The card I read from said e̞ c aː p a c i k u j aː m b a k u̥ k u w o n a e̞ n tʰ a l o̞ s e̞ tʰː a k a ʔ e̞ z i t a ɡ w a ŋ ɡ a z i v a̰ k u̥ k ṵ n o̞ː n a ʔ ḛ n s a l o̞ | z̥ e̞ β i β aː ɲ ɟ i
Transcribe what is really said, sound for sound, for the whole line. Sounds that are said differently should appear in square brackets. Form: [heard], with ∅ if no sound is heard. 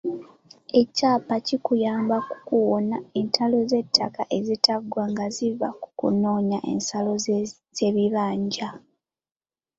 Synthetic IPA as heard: e̞ c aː p a c i k u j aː m b a k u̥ k u w o n a e̞ n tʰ a l o̞ [z] e̞ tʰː a k a ʔ e̞ z i t a ɡ w a ŋ ɡ a z i v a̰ k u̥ k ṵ n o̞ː [ɲ] a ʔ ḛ n s a l o̞ | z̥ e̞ β i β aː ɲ ɟ [a]